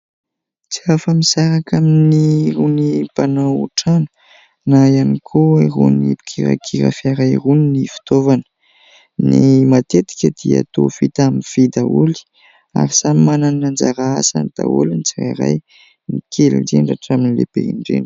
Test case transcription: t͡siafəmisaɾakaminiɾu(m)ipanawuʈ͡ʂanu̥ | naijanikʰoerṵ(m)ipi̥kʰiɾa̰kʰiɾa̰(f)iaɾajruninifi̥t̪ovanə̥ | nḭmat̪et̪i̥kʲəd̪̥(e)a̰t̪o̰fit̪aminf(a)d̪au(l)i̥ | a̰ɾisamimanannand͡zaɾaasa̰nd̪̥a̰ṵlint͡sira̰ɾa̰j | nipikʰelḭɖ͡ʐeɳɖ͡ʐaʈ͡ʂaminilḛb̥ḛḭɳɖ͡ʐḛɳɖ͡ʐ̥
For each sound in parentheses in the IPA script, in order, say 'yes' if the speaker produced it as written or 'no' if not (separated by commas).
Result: no, no, yes, no, no, yes